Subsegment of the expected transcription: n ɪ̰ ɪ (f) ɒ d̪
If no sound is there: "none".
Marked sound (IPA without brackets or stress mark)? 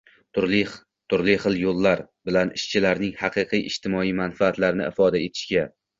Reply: f